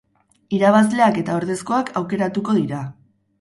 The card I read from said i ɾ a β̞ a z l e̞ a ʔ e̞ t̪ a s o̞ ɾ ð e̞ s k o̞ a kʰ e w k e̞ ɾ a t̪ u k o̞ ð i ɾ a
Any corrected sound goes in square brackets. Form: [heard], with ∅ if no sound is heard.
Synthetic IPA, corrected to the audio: i ɾ a β̞ a z l e̞ a [k] e̞ t̪ a [∅] o̞ ɾ ð e̞ s k o̞ a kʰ [a] w k e̞ ɾ a t̪ u k o̞ ð i ɾ a

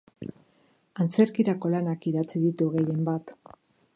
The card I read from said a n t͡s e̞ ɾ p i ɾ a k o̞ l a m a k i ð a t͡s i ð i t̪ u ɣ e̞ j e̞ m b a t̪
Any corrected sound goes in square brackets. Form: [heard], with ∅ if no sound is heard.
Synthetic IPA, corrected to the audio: a n t͡s e̞ ɾ [k] i ɾ a k o̞ l a [n] a k i ð a t͡s i ð i t̪ u ɣ e̞ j e̞ m b a t̪

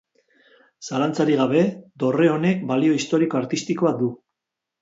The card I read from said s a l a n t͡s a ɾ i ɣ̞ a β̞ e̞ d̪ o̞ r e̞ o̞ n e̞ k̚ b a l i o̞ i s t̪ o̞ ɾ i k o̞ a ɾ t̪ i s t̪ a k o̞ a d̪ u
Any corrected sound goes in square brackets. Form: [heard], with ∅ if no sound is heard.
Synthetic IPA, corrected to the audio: s a l a n t͡s a ɾ i ɣ̞ a β̞ e̞ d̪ o̞ r e̞ o̞ n e̞ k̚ b a l i o̞ i s t̪ o̞ ɾ i k o̞ a ɾ t̪ i s t̪ [i] k o̞ a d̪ u

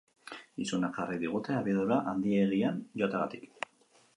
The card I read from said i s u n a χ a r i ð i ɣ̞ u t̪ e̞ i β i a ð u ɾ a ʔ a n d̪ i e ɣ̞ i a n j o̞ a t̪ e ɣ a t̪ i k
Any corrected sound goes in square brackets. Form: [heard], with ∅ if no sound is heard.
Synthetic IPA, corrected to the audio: i s u n a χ a r i ð i ɣ̞ u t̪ e̞ [a] β i a ð u ɾ a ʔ a n d̪ i e ɣ̞ i a n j o̞ a t̪ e ɣ a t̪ i k

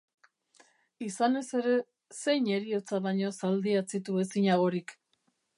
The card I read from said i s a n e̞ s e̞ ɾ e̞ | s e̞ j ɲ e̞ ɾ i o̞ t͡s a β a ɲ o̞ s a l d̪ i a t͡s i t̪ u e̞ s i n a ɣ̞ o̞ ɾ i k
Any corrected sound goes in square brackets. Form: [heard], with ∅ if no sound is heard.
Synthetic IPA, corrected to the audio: i s a n e̞ s e̞ ɾ e̞ | s e̞ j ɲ e̞ ɾ i o̞ t͡s a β a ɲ o̞ s a l d̪ i a t͡s i t̪ u e̞ s i [ɲ] a ɣ̞ o̞ ɾ i k

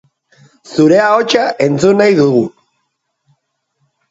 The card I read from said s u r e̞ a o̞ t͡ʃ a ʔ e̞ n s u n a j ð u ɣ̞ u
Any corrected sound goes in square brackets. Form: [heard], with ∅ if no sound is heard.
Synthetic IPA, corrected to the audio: s u [ɾ] e̞ a o̞ t͡ʃ a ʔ e̞ n [t͡s] u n a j ð u ɣ̞ u

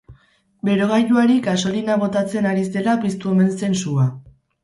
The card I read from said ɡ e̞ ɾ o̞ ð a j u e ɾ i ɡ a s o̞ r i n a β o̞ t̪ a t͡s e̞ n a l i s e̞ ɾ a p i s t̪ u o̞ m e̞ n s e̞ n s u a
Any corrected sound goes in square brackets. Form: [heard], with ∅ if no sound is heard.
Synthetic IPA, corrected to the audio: [b] e̞ ɾ o̞ [ɣ] a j u [a] ɾ i ɡ a s o̞ [l] i n a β o̞ t̪ a t͡s e̞ n a [ɾ] i s e̞ [l] a p i s t̪ u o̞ m e̞ n s e̞ n s u a

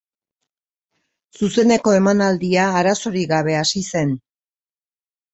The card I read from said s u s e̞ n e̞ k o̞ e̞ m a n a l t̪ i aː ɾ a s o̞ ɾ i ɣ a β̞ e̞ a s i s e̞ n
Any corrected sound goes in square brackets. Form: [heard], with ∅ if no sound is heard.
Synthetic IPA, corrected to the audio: s u s e̞ n e̞ k o̞ e̞ m a n a l [d̪] i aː ɾ a s o̞ ɾ i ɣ a β̞ e̞ a s i s e̞ n

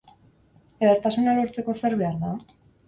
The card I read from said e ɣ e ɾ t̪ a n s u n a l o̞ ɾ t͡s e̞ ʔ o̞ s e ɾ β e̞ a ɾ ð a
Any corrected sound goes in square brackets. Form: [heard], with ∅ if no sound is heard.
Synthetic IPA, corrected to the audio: e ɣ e ɾ t̪ a [∅] s u n a l o̞ ɾ t͡s e̞ [k] o̞ s e ɾ β e̞ a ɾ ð a

